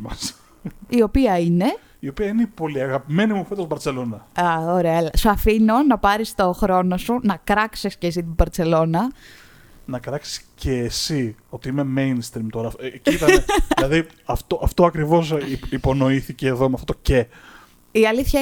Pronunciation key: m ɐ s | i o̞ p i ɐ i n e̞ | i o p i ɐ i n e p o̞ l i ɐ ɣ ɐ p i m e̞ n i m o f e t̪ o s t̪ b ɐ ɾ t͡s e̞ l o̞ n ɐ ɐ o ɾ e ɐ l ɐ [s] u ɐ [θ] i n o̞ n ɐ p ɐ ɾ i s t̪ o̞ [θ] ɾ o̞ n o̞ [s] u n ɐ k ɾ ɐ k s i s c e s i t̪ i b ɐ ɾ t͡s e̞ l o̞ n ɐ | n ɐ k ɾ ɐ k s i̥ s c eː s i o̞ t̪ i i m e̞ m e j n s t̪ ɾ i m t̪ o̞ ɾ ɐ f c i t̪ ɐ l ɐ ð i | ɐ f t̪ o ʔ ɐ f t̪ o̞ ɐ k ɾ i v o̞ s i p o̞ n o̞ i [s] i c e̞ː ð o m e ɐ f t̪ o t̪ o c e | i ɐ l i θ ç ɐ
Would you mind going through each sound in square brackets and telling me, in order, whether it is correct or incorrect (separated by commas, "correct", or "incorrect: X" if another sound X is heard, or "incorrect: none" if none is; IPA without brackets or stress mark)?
correct, incorrect: f, incorrect: x, correct, incorrect: θ